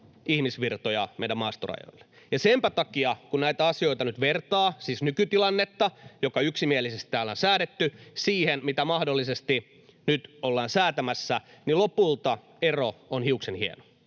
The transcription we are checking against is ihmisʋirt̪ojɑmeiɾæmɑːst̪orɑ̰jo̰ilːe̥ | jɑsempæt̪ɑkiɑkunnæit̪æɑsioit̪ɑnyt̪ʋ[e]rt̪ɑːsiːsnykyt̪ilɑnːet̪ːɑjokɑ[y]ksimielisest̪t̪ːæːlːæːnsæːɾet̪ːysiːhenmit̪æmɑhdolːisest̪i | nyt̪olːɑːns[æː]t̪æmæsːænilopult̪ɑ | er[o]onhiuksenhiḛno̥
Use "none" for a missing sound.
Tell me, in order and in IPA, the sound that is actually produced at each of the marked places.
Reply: e, y, æː, o

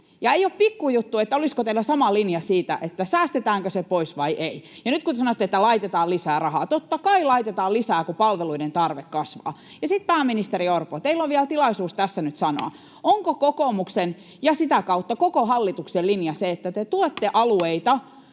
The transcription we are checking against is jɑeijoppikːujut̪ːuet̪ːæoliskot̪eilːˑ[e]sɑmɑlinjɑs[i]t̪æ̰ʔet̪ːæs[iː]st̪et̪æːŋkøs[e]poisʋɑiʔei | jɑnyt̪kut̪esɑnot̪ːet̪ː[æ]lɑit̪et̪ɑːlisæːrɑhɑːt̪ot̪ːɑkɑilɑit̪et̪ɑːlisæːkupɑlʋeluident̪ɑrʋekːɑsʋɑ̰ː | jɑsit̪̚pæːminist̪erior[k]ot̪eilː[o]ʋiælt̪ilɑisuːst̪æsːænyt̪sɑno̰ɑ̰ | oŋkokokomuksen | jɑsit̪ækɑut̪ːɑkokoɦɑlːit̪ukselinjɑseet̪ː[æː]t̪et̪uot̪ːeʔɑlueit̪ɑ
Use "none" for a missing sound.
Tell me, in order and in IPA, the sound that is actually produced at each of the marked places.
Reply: æ, iː, æː, e, æ, p, o, æ

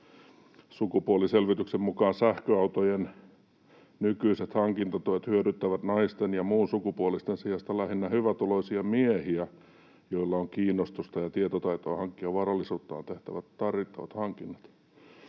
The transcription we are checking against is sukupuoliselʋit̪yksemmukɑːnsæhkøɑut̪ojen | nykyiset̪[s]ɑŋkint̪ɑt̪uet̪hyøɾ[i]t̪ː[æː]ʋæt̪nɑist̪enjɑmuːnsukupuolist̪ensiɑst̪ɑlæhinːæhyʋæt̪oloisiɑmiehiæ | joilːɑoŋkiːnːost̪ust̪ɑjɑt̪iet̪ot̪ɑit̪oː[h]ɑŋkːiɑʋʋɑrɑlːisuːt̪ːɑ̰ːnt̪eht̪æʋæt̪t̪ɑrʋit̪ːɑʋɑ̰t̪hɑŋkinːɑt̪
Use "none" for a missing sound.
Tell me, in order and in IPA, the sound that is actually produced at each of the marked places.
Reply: h, y, æ, h

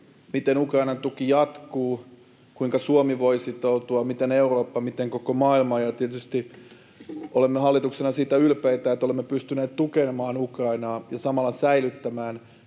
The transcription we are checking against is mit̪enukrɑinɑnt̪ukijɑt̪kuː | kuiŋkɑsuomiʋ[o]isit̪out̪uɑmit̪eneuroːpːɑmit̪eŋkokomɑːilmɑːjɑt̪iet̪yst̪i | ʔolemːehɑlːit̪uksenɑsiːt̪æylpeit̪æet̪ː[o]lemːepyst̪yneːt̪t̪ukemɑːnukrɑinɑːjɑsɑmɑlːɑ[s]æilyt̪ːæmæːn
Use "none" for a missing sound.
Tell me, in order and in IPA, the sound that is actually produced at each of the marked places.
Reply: o, o, s

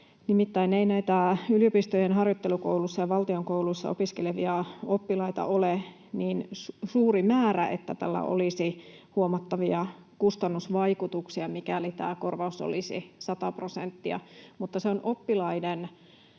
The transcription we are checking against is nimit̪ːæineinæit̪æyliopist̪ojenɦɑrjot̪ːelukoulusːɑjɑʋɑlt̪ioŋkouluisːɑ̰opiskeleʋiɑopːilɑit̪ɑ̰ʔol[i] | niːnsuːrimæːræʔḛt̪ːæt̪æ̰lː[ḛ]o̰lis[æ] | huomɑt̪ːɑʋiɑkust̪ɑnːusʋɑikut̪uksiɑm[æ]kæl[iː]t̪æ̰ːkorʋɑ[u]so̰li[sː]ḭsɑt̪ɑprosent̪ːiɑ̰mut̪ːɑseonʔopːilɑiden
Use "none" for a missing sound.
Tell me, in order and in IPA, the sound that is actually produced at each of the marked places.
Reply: e, æ̰, i, i, i, u, s

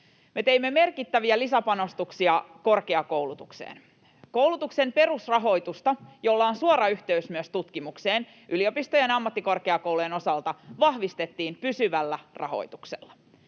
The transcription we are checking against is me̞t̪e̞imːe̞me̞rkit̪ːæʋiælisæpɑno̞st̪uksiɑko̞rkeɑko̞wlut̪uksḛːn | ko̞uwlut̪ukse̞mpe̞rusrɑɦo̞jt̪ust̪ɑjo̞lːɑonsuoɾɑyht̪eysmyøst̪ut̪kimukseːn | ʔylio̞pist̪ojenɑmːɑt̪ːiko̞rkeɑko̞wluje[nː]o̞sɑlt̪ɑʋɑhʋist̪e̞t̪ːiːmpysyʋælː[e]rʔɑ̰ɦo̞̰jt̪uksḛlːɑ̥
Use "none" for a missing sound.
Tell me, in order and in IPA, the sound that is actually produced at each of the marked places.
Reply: n, æ

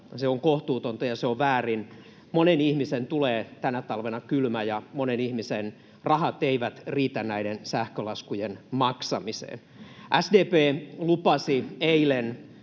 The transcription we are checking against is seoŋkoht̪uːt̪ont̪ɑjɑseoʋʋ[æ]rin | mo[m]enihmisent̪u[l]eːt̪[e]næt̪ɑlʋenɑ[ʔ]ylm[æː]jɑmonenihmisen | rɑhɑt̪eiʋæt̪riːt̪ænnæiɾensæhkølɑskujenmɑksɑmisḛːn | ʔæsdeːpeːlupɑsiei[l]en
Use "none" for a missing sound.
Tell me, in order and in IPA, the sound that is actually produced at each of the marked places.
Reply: æː, n, l, æ, k, æ, l

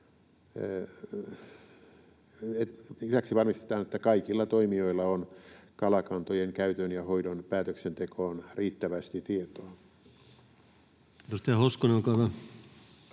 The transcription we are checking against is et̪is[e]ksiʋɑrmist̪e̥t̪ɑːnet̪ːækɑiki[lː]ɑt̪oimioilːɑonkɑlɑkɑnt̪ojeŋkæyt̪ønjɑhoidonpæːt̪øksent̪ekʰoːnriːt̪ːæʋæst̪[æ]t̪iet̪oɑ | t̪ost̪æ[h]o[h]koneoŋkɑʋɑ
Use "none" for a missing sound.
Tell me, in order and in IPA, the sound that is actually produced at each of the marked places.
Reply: æ, lː, i, h, s

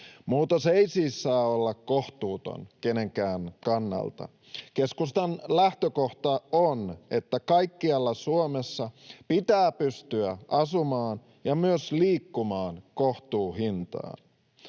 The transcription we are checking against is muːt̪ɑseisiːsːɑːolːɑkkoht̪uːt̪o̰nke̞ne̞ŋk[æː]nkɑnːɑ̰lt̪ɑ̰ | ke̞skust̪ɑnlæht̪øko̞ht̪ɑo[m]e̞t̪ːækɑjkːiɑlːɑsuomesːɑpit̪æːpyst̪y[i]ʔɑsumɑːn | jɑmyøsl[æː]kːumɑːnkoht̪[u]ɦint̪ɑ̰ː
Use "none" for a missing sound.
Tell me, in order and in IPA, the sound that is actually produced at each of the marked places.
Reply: æː, n, æ, iː, uː

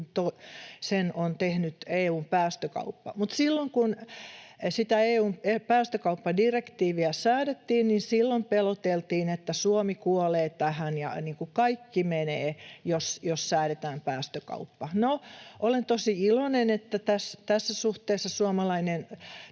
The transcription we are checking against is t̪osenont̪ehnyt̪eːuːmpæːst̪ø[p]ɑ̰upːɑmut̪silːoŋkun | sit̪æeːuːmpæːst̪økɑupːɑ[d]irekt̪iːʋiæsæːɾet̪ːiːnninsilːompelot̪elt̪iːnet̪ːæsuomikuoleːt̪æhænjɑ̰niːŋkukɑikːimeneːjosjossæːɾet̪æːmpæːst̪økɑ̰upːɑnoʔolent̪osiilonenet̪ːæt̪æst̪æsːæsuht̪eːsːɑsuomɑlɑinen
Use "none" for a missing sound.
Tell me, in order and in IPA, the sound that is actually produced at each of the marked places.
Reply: k, d

